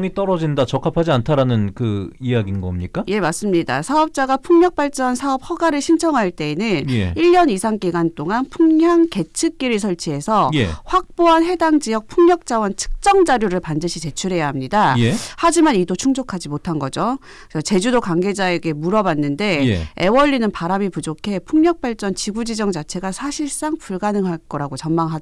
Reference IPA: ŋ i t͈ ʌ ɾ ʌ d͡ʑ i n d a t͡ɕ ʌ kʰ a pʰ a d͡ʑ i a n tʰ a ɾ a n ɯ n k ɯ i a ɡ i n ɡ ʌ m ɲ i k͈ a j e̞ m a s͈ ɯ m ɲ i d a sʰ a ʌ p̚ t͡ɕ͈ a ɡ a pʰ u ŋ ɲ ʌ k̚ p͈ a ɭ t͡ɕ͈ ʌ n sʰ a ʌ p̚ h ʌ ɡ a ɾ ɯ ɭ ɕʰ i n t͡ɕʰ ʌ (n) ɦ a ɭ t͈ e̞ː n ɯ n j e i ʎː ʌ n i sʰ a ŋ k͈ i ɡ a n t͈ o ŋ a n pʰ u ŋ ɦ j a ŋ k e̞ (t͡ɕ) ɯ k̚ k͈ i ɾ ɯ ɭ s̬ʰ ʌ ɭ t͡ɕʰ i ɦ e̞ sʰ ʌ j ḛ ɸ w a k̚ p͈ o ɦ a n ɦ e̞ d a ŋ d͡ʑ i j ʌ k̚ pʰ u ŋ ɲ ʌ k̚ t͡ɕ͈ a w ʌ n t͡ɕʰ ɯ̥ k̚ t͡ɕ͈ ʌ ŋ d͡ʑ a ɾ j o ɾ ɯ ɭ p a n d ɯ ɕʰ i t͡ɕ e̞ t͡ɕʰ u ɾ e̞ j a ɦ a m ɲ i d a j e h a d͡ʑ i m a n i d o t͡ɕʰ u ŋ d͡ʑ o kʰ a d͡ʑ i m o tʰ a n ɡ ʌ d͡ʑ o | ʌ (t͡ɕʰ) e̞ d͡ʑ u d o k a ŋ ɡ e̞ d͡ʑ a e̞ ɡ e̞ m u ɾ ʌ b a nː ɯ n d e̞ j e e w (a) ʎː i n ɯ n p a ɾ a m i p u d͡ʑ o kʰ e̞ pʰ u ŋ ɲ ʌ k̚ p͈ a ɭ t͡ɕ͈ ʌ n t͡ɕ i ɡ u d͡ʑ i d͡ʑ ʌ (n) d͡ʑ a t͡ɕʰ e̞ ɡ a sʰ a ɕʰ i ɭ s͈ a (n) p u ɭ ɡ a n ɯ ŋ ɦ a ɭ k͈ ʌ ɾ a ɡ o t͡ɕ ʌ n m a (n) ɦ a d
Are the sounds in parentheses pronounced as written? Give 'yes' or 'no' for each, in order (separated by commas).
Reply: no, no, no, no, no, no, no